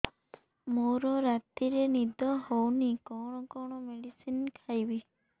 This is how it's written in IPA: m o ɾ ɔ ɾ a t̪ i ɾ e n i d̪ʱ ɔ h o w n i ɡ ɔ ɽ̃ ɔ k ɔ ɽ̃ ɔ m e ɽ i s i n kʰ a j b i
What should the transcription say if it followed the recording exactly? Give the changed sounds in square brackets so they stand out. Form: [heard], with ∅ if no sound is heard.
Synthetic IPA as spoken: m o ɾ ɔ ɾ a t̪ i ɾ e n i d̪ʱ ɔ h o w n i [k] ɔ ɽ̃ ɔ k ɔ ɽ̃ ɔ m e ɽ i s i n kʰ a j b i